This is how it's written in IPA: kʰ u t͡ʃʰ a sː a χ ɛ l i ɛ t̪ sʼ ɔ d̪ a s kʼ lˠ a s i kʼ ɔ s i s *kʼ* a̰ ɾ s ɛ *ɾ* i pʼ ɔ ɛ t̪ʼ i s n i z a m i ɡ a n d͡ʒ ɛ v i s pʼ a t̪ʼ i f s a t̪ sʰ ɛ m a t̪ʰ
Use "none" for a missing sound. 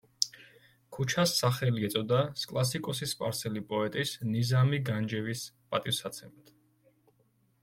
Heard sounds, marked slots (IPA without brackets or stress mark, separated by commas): pʼ, l